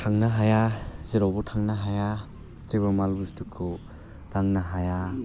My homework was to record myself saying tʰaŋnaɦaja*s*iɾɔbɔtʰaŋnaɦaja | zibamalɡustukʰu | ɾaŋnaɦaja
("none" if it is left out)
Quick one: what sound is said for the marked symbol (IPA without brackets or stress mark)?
z